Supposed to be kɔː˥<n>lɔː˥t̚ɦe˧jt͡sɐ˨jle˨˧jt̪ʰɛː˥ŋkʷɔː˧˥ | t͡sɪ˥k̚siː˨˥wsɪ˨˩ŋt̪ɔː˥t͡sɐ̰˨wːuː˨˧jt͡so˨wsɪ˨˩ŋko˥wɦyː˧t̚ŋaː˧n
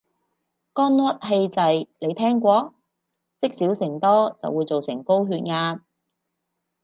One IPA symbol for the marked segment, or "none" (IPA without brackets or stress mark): n